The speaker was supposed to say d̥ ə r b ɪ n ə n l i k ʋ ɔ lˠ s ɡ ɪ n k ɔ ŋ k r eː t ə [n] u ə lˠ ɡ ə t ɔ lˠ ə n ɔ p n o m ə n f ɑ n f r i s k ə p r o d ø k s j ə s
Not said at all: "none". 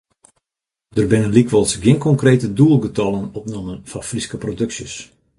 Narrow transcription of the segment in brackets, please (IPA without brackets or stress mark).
d